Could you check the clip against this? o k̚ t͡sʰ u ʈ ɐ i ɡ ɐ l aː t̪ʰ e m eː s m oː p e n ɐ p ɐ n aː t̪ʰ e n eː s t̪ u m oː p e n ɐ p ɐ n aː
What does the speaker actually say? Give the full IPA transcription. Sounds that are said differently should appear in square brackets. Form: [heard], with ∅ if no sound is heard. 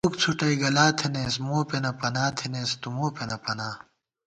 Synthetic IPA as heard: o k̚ t͡sʰ u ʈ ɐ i ɡ ɐ l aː t̪ʰ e [n] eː s m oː p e n ɐ p ɐ n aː t̪ʰ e n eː s t̪ u m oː p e n ɐ p ɐ n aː